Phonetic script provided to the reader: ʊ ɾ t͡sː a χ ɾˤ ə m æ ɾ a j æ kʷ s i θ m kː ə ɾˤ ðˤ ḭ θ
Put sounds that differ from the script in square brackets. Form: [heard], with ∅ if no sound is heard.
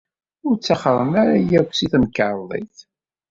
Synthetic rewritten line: ʊ ɾ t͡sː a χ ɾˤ ə m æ ɾ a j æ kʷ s i θ m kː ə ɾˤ ðˤ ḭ θ